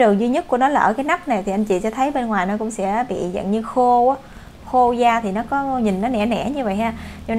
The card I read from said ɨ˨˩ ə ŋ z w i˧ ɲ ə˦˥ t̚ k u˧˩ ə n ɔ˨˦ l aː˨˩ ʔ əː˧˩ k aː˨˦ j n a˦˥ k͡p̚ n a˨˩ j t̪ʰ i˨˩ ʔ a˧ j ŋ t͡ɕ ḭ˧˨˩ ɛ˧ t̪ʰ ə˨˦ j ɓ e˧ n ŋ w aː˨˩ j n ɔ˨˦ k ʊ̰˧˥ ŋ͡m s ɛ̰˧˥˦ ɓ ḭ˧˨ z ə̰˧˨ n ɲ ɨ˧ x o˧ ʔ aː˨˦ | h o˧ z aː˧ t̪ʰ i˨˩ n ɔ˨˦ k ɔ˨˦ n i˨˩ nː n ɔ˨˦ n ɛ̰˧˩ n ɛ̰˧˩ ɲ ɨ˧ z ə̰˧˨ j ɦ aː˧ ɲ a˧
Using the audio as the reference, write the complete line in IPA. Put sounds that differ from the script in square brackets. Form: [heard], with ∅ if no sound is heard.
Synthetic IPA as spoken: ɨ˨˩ ə ŋ z w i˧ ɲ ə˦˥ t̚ k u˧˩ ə n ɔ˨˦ l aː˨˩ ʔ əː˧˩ k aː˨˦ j n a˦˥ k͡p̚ n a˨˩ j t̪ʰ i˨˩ ʔ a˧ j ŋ t͡ɕ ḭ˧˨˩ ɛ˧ t̪ʰ ə˨˦ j ɓ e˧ n ŋ w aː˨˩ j n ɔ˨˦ k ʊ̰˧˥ ŋ͡m s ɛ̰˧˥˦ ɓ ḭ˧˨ z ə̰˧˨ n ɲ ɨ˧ x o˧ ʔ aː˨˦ | [x] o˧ z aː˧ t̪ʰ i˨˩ n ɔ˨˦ k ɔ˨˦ [ɲ] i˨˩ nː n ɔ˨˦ n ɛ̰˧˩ n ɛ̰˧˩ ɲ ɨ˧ [v] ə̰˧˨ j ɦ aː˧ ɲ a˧